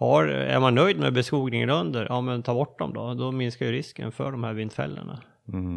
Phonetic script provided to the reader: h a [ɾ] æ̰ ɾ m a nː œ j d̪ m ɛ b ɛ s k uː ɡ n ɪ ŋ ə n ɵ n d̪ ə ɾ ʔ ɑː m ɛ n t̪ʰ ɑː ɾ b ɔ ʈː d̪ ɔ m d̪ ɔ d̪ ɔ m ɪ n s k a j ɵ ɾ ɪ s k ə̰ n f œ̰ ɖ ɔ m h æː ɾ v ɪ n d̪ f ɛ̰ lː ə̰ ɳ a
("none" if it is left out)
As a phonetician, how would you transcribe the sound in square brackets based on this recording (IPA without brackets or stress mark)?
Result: ɾ